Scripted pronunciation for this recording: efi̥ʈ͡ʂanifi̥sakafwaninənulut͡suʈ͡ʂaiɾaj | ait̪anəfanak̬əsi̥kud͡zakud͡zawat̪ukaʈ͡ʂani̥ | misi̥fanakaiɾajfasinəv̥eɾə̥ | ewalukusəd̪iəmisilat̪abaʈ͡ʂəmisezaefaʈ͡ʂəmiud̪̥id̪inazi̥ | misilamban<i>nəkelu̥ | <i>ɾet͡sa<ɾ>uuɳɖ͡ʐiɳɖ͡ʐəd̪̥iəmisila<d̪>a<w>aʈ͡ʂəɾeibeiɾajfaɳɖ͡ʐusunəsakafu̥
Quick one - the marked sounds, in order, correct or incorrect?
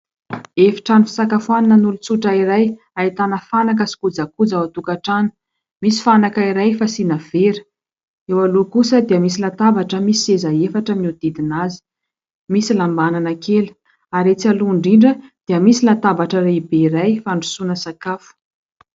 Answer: incorrect: a, incorrect: a, incorrect: l, incorrect: t̪, incorrect: b

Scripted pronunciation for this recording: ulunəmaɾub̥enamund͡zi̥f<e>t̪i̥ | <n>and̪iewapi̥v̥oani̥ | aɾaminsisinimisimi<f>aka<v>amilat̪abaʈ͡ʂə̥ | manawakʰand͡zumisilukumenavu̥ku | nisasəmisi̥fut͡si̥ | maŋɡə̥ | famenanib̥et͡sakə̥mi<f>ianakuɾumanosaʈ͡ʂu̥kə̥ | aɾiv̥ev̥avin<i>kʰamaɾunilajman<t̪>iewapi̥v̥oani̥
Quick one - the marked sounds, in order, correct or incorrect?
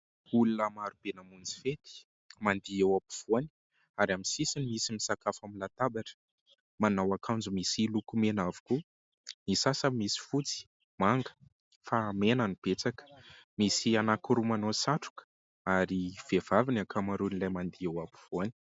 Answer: correct, incorrect: m, incorrect: s, incorrect: f, incorrect: s, incorrect: a, incorrect: d̪

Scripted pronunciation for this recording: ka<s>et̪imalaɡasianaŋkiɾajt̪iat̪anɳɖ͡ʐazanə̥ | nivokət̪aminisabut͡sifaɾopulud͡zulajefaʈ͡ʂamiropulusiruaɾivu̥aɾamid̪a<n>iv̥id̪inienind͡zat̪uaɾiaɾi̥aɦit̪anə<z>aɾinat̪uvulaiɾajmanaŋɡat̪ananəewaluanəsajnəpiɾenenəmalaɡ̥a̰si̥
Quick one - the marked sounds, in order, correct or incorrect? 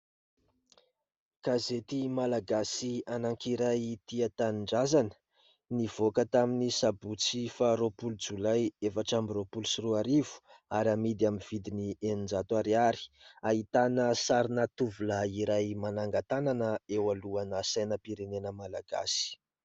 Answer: incorrect: z, incorrect: m, incorrect: s

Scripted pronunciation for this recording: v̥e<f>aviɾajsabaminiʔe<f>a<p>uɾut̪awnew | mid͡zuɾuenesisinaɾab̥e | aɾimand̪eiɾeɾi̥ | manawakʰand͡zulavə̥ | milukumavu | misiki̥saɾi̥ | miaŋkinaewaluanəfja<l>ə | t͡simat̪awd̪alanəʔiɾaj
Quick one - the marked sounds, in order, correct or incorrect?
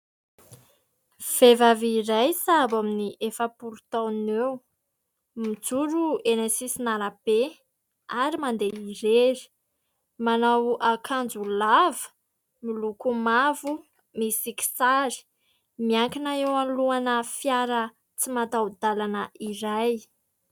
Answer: incorrect: v, correct, correct, incorrect: ɾ

